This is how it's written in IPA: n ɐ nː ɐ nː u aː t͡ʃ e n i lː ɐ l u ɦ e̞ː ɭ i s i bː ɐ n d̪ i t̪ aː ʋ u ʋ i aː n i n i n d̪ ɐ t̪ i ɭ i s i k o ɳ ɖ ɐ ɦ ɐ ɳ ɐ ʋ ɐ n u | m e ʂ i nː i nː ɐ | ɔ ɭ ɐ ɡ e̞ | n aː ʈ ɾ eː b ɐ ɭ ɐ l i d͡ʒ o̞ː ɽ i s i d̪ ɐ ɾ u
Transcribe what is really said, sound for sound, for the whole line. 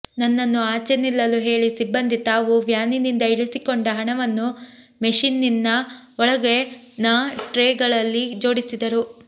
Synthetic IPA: n ɐ nː ɐ nː u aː t͡ʃ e n i lː ɐ l u ɦ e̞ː ɭ i s i bː ɐ n d̪ i t̪ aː ʋ u ʋ j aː n i n i n d̪ ɐ i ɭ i s i k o ɳ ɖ ɐ ɦ ɐ ɳ ɐ ʋ ɐ nː u | m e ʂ i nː i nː ɐ | ɔ ɭ ɐ ɡ e̞ | n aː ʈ ɾ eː ɡ ɐ ɭ ɐ lː i d͡ʒ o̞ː ɽ i s i d̪ ɐ ɾ u